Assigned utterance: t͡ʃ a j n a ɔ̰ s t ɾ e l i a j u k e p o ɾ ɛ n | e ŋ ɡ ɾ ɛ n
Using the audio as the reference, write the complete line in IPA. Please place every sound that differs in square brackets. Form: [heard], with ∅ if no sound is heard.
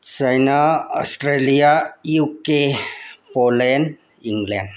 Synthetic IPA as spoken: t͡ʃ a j n a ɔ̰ s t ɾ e l i a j u k e p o [l] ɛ n | [i] ŋ ɡ [l] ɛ n

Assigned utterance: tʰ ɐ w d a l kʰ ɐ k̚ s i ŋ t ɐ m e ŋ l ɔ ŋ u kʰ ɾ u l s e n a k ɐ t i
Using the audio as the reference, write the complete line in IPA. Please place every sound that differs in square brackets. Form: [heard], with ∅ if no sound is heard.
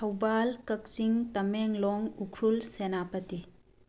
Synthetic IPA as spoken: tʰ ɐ w [b] a l [k] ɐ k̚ s i ŋ t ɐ m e ŋ l ɔ ŋ u kʰ ɾ u l s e n a [p] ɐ t i

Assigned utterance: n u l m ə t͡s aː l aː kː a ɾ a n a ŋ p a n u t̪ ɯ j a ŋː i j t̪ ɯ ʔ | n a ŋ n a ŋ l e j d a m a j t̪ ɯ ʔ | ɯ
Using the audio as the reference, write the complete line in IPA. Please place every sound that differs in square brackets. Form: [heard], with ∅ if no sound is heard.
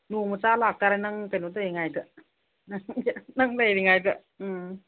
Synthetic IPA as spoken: n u [∅] m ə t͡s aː l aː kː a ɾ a n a ŋ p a n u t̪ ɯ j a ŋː [a] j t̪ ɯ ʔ | n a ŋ n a ŋ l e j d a [ŋ] a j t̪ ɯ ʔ | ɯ

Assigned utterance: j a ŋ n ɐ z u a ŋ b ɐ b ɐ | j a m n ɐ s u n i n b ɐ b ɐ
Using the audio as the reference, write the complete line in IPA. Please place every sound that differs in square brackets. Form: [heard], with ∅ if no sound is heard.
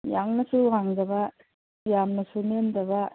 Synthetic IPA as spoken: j a ŋ n ɐ [s] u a ŋ [d] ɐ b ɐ | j a m n ɐ s u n [e] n [d] ɐ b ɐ

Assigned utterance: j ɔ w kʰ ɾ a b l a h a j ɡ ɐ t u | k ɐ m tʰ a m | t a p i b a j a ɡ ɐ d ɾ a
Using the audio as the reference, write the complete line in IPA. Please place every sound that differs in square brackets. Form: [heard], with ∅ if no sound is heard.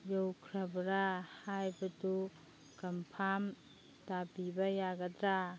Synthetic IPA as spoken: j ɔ w kʰ ɾ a b [ɾ] a h a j [b] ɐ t u | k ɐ m [pʰ] a m | t a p i b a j a ɡ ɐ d ɾ a

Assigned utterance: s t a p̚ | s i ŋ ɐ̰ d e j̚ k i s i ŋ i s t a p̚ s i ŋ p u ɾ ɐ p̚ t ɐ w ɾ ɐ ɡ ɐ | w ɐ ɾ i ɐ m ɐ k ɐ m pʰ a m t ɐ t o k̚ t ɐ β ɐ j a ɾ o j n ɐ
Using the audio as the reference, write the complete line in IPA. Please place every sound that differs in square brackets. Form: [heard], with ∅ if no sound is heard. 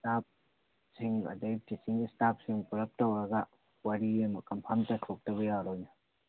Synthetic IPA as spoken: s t a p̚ | s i ŋ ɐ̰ d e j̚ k i s i ŋ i s t a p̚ s i ŋ p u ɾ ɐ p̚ t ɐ w ɾ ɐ ɡ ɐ | w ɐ ɾ i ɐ m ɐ k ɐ m pʰ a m t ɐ [tʰ] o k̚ t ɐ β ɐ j a ɾ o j n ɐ

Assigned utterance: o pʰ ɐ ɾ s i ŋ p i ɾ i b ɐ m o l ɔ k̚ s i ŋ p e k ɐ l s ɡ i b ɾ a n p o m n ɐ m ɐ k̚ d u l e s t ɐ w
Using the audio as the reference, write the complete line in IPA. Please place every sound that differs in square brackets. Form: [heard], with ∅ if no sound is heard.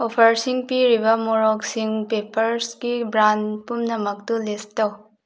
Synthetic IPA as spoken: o pʰ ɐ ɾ s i ŋ p i ɾ i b ɐ m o [ɾ] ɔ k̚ s i ŋ p e [p] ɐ [ɾ] s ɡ i b ɾ a n p [u] m n ɐ m ɐ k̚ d u l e s t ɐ w

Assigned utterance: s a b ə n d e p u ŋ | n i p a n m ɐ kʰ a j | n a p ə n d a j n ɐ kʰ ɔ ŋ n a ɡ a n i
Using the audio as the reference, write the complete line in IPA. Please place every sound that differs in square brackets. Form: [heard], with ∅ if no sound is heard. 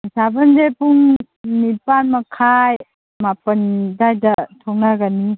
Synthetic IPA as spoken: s a b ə n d e p u ŋ | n i p a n m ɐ kʰ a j | [m] a p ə n d a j [d] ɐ [tʰ] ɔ ŋ n a ɡ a n i

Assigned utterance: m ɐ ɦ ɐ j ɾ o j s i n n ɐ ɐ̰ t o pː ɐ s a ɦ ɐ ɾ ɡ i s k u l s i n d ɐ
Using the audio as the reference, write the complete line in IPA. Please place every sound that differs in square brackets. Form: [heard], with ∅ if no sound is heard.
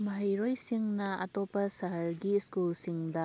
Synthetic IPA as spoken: m ɐ ɦ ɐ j ɾ o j s i [ŋ] n ɐ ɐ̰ t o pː ɐ s [ɐ] ɦ ɐ ɾ ɡ i s k u l s i [ŋ] d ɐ

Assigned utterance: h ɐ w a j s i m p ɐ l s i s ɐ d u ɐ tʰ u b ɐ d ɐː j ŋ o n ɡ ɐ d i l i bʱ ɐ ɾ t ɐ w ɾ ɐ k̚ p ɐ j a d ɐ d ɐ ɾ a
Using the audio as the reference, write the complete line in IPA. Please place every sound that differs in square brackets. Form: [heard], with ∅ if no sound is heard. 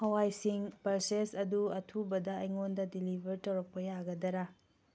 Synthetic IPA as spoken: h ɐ w a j s i [ŋ] p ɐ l s [e] s ɐ d u ɐ tʰ u b ɐ d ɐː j ŋ o n [d] ɐ d i l i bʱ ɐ ɾ t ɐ w ɾ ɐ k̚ p ɐ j a [ɡ] ɐ d ɐ ɾ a

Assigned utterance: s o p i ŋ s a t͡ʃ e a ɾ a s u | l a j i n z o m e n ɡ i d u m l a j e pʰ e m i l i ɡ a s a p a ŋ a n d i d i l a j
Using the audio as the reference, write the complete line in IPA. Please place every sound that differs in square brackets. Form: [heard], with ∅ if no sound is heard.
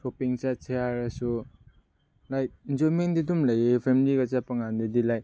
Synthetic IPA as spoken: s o p i ŋ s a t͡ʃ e a ɾ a s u | l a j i n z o m e n [d] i d u m l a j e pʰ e m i l i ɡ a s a p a ŋ a n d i d i l a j

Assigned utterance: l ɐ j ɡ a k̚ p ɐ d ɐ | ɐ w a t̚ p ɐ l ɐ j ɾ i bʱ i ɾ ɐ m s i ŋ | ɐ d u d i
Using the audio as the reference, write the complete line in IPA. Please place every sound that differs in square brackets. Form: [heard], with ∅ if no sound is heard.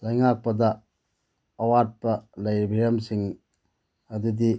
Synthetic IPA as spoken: l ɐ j [ŋ] a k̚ p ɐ d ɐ | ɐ w a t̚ p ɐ l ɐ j ɾ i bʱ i ɾ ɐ m s i ŋ | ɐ d u d i

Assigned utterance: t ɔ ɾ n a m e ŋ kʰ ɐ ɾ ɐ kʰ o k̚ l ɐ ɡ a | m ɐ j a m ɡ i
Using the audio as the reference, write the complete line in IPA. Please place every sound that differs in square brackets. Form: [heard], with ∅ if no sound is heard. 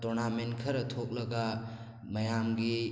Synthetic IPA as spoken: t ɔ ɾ n a m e [n] kʰ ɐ ɾ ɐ [tʰ] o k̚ l ɐ ɡ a | m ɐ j a m ɡ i

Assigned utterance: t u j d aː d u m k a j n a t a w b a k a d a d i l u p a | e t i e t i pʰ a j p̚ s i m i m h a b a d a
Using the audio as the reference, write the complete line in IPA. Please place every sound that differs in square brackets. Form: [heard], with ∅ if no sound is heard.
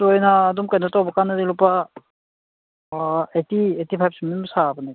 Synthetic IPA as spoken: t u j [n] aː d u m k a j n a t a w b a k a [n] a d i l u p a | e t i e t i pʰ a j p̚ s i m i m [s] a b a [n] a

